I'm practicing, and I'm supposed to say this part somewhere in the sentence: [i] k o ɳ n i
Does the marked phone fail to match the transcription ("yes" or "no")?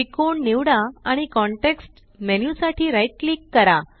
no